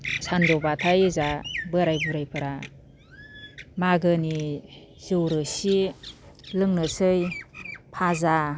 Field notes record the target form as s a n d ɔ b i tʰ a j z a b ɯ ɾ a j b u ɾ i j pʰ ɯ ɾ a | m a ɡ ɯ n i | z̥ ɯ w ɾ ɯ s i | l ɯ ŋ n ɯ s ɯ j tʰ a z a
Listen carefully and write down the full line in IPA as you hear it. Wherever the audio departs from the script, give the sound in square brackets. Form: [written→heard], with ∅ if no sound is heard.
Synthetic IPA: s a n d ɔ b [i→a] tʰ a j z a b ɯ ɾ a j b u ɾ [i→a] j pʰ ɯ ɾ a | m a ɡ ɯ n i | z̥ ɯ w ɾ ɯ s i | l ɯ ŋ n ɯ s ɯ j [tʰ→pʰ] a z a